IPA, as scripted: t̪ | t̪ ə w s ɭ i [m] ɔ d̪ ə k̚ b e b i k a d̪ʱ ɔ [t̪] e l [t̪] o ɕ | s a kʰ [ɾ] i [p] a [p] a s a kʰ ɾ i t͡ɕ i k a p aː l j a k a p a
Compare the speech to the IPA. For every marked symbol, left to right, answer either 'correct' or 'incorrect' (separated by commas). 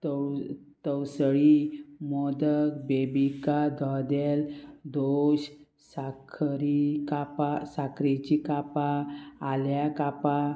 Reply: correct, incorrect, incorrect, correct, incorrect, correct